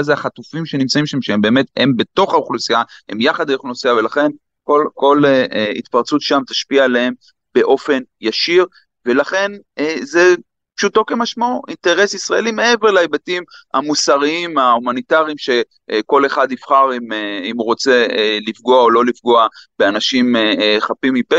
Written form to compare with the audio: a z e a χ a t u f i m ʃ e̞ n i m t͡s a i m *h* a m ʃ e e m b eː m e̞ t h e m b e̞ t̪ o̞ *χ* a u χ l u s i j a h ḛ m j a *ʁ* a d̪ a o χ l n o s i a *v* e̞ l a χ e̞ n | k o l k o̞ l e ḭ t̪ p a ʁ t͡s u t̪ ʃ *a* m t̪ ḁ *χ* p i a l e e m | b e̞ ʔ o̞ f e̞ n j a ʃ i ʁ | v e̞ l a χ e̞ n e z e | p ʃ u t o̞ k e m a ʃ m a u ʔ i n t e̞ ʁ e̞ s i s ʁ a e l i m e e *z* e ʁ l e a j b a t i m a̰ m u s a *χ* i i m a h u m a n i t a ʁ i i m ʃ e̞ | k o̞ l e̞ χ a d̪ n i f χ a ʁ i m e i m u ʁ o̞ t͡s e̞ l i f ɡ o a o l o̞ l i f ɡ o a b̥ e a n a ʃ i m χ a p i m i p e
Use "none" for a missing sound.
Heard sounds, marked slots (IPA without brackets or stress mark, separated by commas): ʃ, χ, χ, v, a, ʃ, v, ʁ